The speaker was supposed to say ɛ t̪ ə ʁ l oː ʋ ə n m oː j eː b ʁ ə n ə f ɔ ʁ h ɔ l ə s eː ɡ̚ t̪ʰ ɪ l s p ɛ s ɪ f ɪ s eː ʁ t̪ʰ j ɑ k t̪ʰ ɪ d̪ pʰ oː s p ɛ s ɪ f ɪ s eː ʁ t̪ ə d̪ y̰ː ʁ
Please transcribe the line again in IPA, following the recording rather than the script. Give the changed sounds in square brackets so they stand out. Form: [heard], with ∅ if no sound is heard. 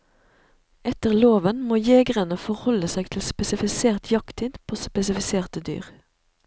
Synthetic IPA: ɛ t̪ ə ʁ l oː ʋ ə n m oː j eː [ɡ] ʁ ə n ə f ɔ ʁ h ɔ l ə s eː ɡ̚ t̪ʰ ɪ l s p ɛ s ɪ f ɪ s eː ʁ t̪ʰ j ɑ k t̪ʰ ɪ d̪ pʰ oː s p ɛ s ɪ f ɪ s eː ʁ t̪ ə d̪ y̰ː ʁ